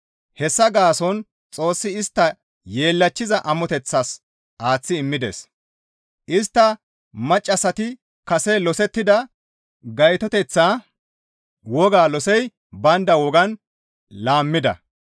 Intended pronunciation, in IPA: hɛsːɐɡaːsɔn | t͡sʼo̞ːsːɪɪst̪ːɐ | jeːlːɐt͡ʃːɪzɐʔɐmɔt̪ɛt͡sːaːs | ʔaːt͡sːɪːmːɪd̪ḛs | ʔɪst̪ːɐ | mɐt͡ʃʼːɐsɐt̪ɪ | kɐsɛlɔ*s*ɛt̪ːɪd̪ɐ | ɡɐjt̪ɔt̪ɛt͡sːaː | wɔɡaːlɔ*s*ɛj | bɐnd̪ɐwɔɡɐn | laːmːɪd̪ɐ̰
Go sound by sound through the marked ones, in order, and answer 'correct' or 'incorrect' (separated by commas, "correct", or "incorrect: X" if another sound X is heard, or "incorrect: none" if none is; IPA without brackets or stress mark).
correct, correct